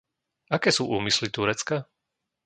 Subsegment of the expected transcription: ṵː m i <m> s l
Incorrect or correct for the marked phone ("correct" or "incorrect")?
incorrect